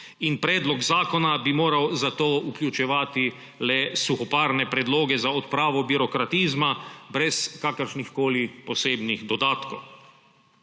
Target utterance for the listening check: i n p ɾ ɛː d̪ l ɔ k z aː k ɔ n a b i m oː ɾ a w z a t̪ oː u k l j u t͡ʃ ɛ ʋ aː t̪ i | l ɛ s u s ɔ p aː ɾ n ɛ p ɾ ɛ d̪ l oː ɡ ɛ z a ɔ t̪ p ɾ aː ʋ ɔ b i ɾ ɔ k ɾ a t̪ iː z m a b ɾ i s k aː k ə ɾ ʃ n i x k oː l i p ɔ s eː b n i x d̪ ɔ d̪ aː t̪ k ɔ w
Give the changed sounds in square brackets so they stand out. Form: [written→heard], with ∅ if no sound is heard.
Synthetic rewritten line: i n p ɾ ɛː d̪ l ɔ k z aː k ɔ n a b i m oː ɾ a w z a t̪ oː u k l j u t͡ʃ ɛ ʋ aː t̪ i | l ɛ s u [s→x] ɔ p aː ɾ n ɛ p ɾ ɛ d̪ l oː ɡ ɛ z a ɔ t̪ p ɾ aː ʋ ɔ b i ɾ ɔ k ɾ a t̪ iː z m a b ɾ [i→ɛ] s k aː k ə ɾ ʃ n i x k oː l i p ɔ s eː b n i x d̪ ɔ d̪ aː t̪ k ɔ w